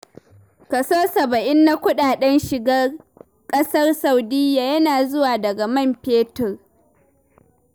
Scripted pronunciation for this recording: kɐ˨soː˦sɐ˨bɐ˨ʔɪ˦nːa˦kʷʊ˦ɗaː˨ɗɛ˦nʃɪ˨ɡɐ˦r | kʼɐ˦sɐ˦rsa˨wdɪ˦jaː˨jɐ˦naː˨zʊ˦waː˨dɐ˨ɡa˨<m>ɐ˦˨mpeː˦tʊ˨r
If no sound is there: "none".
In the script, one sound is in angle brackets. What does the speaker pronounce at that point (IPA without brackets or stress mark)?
m